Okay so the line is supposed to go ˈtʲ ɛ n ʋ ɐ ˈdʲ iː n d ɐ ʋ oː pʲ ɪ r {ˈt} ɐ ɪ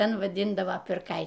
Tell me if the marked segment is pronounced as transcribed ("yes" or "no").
no